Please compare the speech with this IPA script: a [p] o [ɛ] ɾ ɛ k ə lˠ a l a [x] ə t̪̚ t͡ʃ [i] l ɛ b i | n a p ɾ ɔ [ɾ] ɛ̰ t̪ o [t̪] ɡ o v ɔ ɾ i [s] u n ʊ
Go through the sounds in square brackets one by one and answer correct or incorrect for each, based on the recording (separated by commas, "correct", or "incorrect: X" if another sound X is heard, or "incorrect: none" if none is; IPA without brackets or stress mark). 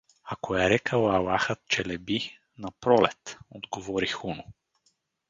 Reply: incorrect: k, correct, correct, incorrect: ɛ, incorrect: l, incorrect: d̪, incorrect: x